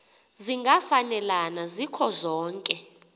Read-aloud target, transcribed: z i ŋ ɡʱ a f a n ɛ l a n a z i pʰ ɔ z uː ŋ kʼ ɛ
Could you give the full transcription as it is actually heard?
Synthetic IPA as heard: z i ŋ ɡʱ a f a n ɛ l a n a z i kʰ ɔ z ɔː ŋ kʼ ɛ